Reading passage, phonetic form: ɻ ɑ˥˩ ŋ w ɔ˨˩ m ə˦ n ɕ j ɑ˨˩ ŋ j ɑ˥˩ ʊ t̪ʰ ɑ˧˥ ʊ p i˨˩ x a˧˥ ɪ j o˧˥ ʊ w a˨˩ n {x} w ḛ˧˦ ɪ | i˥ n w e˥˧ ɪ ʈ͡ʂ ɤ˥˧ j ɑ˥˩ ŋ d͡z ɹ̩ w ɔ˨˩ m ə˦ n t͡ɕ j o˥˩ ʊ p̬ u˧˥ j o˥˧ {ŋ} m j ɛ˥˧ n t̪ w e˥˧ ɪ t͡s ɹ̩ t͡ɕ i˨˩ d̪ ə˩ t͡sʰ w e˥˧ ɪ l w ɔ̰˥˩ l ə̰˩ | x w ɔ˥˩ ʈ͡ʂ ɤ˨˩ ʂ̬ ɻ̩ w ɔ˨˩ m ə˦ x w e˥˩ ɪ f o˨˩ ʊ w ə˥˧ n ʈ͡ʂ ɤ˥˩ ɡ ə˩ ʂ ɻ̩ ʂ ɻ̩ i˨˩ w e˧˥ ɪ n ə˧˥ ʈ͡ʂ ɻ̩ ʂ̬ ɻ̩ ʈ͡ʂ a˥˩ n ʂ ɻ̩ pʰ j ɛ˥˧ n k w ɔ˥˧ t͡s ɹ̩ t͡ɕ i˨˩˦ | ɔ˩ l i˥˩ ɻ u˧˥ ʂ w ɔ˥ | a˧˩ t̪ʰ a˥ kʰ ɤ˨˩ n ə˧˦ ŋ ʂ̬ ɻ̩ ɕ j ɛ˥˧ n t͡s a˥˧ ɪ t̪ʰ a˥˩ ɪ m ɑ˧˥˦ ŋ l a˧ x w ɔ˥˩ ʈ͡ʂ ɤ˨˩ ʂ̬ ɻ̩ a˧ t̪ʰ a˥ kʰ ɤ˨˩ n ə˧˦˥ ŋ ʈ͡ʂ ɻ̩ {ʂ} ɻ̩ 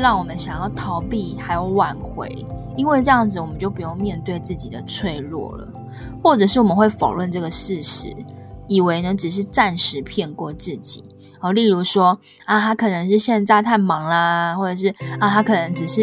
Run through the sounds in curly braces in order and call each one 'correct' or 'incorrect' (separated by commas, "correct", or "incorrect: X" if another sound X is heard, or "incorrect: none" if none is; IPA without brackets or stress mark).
correct, correct, correct